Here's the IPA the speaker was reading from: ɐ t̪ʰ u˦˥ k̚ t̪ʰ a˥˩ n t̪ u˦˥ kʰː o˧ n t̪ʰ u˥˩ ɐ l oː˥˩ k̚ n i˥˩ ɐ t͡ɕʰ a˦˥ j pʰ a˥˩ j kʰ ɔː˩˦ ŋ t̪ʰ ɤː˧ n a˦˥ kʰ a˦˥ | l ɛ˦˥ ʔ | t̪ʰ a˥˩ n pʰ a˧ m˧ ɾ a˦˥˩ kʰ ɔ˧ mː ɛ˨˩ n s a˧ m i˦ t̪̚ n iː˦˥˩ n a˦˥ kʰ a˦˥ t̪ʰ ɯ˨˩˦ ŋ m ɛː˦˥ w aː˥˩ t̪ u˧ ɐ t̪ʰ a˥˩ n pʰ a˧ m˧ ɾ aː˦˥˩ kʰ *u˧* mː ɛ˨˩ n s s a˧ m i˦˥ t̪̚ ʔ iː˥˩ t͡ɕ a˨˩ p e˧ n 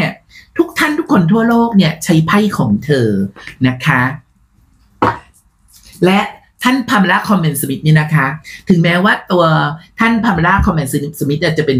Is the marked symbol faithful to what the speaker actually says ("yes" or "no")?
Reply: no